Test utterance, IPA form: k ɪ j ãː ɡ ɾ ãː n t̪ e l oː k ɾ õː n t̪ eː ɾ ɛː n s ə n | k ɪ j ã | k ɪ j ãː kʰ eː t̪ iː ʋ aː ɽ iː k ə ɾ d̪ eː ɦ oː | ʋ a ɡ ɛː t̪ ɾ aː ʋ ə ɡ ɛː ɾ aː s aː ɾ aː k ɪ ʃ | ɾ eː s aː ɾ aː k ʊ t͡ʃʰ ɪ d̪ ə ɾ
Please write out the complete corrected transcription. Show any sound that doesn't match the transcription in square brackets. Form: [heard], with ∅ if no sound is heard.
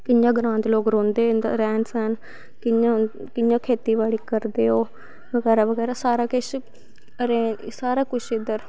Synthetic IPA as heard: k ɪ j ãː ɡ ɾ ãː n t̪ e l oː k ɾ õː n [d̪] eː ɾ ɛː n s ə n | k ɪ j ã | k ɪ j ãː kʰ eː t̪ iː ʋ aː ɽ iː k ə ɾ d̪ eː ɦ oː | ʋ [ə] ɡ ɛː [∅] ɾ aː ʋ ə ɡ ɛː ɾ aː s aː ɾ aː k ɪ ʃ | ɾ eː s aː ɾ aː k ʊ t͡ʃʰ ɪ d̪ ə ɾ